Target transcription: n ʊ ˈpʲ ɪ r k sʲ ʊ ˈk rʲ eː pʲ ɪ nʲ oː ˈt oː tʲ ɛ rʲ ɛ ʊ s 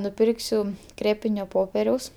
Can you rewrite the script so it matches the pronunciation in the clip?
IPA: n ʊ ˈpʲ ɪ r k sʲ ʊ ˈk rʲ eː pʲ ɪ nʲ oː ˈp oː pʲ ɛ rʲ ɛ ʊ s